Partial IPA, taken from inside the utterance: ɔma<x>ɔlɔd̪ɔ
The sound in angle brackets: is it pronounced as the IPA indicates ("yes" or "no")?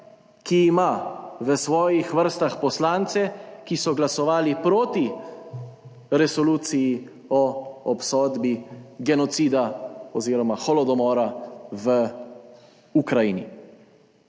yes